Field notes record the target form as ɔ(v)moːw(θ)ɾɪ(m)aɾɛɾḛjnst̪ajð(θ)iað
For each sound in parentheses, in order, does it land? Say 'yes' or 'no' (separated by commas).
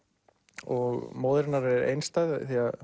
no, no, no, yes